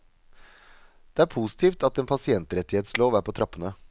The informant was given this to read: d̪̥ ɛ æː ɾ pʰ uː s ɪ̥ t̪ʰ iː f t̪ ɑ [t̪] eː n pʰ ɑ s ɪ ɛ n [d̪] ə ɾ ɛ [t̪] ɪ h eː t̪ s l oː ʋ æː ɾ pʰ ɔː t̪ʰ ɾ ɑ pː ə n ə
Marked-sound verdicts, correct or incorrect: correct, incorrect, correct

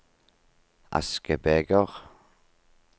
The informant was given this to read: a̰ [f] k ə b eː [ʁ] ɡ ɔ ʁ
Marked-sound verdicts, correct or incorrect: incorrect, incorrect

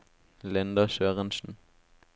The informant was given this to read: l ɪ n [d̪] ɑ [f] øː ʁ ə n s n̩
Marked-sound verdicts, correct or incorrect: correct, incorrect

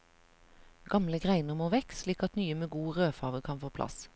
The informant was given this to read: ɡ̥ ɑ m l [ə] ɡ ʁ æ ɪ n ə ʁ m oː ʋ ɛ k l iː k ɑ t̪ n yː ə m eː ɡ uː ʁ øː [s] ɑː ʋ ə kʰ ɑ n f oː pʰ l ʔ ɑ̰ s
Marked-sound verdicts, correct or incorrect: correct, incorrect

